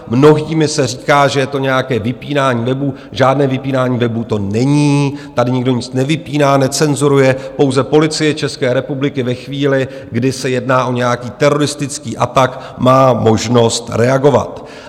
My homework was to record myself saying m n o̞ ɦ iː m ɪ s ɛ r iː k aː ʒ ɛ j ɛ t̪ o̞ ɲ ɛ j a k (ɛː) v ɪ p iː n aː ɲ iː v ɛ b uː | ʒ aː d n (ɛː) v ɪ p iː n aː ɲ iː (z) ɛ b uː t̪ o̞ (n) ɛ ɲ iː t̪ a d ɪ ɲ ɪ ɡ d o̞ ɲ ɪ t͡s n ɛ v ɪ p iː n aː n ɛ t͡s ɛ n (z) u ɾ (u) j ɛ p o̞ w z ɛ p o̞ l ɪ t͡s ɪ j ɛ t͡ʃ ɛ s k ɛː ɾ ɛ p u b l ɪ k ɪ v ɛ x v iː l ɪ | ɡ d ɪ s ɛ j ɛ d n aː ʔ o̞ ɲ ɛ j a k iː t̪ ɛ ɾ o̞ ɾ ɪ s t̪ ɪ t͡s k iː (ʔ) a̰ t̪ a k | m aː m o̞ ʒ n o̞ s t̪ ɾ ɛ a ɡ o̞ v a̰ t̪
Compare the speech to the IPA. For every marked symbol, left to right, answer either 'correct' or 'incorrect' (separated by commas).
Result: correct, correct, incorrect, correct, correct, correct, correct